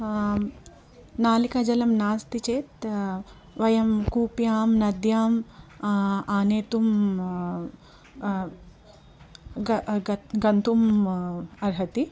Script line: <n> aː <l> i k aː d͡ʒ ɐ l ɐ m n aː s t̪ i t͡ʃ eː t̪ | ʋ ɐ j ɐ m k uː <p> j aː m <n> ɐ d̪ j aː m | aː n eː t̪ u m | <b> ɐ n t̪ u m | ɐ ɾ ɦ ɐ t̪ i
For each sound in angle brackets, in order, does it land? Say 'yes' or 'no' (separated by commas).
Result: yes, yes, yes, yes, no